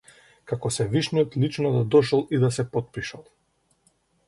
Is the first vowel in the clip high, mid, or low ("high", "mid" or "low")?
low